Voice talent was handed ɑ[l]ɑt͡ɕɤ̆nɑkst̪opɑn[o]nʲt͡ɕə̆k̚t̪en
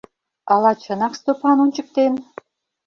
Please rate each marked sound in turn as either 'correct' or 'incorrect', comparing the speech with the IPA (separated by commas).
correct, incorrect